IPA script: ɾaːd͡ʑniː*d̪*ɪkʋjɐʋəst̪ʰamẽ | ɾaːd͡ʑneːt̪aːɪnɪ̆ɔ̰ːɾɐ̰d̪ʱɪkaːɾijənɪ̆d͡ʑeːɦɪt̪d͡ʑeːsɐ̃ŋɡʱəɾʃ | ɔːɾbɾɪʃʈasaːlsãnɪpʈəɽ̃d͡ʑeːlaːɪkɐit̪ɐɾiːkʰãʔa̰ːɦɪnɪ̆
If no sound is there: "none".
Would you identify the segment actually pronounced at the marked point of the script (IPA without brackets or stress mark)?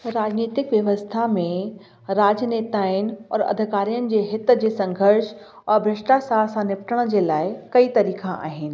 t̪